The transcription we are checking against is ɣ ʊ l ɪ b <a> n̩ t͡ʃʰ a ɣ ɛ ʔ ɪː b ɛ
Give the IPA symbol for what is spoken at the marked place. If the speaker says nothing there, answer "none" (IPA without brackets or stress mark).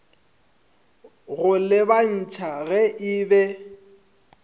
a